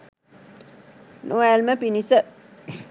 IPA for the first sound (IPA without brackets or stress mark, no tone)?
n